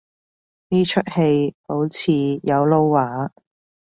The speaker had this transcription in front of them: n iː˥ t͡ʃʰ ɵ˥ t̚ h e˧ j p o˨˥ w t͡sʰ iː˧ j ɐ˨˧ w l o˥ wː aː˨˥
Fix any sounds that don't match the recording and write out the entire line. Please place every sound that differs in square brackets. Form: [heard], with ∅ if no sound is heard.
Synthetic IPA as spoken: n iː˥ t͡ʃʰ ɵ˥ t̚ h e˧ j p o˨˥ w t͡sʰ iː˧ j ɐ˨˧ w l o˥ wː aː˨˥